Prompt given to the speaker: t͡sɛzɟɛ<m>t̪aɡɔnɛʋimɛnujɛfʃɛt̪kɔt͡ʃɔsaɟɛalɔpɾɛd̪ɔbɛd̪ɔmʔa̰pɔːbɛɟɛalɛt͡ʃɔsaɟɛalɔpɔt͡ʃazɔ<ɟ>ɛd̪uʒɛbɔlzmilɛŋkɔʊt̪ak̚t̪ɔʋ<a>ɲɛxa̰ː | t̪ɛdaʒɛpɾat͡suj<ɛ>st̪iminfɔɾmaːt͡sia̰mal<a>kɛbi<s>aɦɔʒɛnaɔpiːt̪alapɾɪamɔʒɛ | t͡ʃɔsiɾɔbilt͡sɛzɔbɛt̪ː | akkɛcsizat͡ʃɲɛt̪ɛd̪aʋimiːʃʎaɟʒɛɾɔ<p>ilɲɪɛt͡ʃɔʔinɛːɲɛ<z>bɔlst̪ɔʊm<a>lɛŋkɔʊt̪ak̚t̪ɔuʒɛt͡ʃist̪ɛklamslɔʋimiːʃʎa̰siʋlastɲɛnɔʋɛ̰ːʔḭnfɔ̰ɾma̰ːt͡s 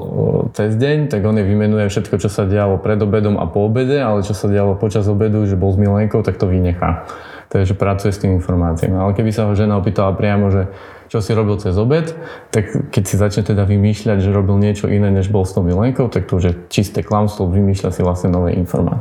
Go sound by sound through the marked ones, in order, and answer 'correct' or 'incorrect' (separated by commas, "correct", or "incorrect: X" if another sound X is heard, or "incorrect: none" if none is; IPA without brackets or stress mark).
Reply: incorrect: ɲ, incorrect: b, incorrect: i, correct, incorrect: ɛ, correct, incorrect: b, incorrect: ʒ, incorrect: i